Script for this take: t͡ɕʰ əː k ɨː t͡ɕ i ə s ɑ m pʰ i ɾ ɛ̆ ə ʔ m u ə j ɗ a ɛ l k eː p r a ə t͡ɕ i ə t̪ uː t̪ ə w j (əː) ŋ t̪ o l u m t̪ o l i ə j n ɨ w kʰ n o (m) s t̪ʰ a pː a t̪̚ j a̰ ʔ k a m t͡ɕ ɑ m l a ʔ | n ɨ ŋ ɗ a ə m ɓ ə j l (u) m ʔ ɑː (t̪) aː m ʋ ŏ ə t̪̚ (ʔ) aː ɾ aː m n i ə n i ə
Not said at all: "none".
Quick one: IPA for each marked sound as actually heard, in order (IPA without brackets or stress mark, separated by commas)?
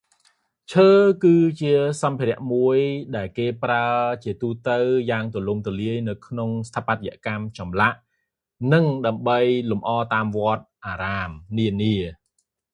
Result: aː, ŋ, u, t̪, ʔ